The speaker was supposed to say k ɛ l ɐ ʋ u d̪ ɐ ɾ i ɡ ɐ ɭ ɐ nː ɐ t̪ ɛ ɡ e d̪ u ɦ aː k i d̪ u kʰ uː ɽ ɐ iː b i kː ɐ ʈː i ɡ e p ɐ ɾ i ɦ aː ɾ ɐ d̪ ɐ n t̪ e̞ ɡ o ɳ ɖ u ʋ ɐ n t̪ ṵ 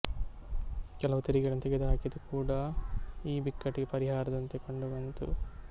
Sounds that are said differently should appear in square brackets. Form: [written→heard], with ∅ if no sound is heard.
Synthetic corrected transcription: k ɛ l ɐ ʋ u [d̪→t̪] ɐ ɾ i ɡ ɐ ɭ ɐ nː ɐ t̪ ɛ ɡ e d̪ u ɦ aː k i d̪ u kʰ uː ɽ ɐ iː b i kː ɐ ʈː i ɡ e p ɐ ɾ i ɦ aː ɾ ɐ d̪ ɐ n t̪ e̞ [ɡ→k] o ɳ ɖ u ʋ ɐ n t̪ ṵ